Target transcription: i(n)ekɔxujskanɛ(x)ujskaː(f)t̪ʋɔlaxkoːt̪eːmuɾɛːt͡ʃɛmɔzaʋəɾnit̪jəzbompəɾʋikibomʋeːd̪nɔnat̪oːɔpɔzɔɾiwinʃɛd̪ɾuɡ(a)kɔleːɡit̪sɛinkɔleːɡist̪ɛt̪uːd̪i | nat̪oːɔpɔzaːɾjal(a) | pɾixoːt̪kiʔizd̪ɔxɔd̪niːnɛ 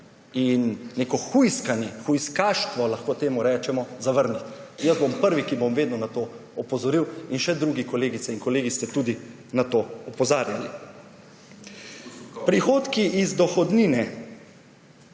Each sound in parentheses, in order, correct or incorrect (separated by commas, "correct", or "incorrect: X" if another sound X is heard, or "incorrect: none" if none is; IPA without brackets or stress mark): incorrect: nː, correct, incorrect: ʃ, incorrect: i, incorrect: i